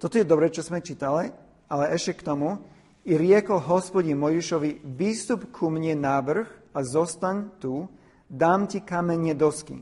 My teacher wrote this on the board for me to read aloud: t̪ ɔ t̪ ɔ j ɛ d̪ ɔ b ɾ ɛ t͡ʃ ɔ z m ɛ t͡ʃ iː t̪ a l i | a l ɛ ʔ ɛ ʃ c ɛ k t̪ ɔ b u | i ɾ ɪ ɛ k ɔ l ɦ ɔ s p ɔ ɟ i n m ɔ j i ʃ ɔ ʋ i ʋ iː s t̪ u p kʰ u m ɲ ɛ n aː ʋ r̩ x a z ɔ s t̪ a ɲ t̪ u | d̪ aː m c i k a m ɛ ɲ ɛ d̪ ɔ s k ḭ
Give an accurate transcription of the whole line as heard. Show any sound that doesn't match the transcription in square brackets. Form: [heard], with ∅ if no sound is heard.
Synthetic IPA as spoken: t̪ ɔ t̪ ɔ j ɛ d̪ ɔ b ɾ ɛ t͡ʃ ɔ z m ɛ t͡ʃ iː t̪ a l i | a l ɛ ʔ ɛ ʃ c ɛ k t̪ ɔ [m] u | i ɾ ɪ ɛ k ɔ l ɦ ɔ s p ɔ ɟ i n m ɔ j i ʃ ɔ ʋ i ʋ iː s t̪ u p kʰ u m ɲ ɛ n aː ʋ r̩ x a z ɔ s t̪ a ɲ t̪ u | d̪ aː m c i k a m ɛ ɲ ɛ d̪ ɔ s k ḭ